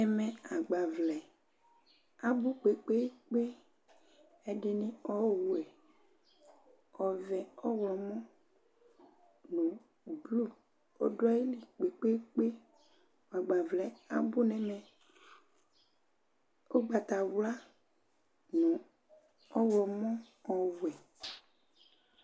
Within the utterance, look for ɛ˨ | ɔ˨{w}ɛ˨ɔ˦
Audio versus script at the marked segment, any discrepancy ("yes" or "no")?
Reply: yes